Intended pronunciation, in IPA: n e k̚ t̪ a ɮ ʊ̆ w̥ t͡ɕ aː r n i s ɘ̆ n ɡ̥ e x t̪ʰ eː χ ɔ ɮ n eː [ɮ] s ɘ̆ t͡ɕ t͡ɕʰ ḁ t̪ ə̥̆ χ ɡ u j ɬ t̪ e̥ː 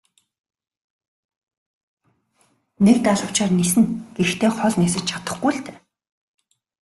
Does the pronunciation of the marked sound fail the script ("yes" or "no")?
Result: yes